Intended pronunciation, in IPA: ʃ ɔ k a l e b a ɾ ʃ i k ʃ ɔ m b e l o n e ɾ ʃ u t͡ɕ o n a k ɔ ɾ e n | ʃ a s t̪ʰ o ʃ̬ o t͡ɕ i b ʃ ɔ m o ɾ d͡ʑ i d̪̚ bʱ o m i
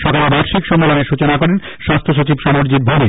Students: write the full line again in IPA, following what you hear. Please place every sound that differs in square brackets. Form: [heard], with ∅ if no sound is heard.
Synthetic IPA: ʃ ɔ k a l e b a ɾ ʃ i k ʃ ɔ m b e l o n e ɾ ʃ u t͡ɕ o n a k ɔ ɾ e n | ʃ a s t̪ʰ o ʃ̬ o t͡ɕ i b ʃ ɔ m o ɾ d͡ʑ i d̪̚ bʱ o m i